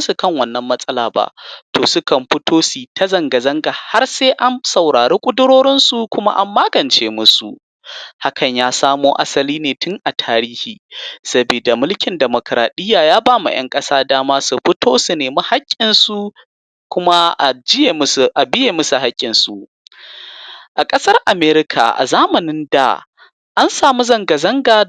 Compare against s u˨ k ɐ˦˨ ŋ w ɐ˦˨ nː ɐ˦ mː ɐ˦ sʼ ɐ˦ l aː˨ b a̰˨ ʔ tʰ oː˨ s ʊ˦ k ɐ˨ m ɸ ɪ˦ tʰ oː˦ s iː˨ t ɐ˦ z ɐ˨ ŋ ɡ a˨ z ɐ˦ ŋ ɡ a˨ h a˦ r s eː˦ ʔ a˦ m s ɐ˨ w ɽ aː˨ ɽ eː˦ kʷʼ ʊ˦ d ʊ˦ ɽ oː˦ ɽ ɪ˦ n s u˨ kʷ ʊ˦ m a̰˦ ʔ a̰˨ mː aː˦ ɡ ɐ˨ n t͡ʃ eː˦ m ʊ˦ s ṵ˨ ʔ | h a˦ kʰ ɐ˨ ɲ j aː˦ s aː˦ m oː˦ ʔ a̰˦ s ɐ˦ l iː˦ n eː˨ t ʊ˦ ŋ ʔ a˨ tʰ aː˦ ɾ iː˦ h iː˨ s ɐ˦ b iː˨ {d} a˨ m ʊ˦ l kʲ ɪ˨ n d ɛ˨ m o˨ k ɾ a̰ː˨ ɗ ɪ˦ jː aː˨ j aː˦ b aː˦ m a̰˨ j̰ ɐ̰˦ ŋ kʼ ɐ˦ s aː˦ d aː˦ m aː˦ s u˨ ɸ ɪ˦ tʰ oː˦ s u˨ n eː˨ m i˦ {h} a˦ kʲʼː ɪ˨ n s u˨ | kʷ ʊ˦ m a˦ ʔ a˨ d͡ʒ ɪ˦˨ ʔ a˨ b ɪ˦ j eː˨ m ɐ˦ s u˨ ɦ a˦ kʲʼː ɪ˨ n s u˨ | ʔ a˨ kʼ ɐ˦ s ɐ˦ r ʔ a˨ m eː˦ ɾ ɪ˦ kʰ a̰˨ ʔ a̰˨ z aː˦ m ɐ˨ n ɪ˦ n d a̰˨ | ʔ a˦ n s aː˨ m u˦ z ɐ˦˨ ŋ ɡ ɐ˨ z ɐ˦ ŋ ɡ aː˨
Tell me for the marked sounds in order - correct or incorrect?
correct, correct

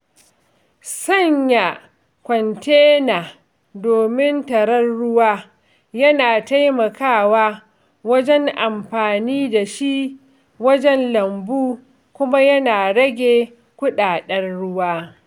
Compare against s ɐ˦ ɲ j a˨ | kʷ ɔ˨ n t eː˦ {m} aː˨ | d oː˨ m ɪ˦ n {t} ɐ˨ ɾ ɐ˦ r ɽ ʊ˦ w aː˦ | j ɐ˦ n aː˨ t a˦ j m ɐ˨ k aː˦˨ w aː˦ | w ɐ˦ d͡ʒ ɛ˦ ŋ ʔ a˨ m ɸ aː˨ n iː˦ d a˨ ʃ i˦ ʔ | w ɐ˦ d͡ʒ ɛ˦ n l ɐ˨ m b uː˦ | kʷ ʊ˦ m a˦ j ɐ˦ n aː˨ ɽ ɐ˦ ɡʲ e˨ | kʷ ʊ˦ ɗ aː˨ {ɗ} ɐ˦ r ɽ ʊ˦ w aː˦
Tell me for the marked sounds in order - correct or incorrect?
incorrect: n, correct, correct

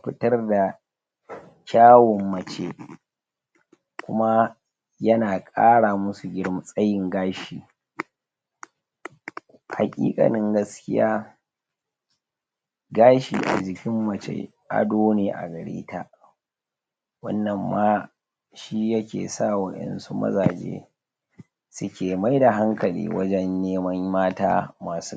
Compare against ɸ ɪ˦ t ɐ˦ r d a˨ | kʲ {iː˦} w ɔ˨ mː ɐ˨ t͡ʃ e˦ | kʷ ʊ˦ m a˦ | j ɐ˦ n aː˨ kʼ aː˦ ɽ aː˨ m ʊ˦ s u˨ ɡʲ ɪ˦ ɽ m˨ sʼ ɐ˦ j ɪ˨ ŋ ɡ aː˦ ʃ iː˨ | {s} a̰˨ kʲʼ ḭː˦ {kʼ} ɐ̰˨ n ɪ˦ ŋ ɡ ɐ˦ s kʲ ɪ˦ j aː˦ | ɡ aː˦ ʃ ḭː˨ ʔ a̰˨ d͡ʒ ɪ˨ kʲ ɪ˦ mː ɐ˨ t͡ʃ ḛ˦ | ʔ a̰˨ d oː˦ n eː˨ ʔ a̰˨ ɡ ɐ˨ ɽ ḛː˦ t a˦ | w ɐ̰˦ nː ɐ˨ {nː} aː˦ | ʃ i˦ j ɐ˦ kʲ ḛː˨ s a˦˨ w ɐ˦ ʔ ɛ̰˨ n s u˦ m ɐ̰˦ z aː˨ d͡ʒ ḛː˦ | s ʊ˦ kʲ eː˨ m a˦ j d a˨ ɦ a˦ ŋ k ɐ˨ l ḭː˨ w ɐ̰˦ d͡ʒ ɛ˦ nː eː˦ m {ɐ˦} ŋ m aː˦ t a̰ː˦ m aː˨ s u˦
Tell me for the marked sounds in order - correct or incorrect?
incorrect: aː˦, incorrect: h, correct, incorrect: mː, correct

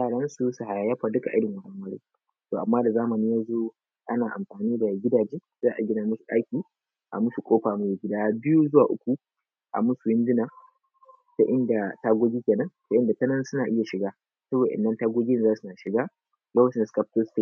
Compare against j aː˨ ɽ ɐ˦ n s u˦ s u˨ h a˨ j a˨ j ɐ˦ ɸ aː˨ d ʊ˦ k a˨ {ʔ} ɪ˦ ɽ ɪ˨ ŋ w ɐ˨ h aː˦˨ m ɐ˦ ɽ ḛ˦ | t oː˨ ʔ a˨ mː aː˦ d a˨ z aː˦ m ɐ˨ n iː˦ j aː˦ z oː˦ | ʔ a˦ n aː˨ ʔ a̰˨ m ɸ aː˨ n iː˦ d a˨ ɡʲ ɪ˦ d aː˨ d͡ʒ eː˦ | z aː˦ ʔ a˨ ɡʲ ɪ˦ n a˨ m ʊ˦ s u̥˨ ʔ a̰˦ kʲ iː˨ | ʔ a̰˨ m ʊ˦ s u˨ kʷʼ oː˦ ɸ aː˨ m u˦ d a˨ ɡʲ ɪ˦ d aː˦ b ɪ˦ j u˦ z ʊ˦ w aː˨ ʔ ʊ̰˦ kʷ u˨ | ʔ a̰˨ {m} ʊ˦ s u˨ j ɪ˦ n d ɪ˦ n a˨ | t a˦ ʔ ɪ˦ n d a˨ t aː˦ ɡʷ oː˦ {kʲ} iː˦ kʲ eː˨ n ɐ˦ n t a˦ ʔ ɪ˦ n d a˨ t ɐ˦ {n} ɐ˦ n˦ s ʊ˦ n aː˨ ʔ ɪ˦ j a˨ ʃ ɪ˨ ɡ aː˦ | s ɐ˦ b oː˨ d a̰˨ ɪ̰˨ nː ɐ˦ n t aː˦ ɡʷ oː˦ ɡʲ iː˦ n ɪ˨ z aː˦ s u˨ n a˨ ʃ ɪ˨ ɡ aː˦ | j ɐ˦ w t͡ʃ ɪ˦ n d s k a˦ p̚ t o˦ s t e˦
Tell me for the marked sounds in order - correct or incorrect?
correct, correct, incorrect: ɡʲ, correct

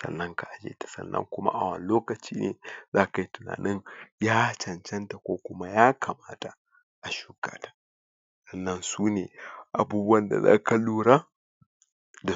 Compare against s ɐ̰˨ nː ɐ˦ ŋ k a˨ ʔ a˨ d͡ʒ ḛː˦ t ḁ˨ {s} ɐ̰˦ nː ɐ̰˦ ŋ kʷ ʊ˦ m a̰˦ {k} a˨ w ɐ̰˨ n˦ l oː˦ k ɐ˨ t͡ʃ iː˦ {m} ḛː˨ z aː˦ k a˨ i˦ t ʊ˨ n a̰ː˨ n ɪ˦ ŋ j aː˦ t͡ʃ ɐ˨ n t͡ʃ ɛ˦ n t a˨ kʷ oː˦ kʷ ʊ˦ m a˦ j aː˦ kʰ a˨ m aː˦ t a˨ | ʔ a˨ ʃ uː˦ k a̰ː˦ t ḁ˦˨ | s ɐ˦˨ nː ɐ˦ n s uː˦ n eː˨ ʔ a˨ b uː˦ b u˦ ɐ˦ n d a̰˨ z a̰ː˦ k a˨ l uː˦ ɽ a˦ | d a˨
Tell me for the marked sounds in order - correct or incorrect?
correct, incorrect: ʔ, incorrect: n

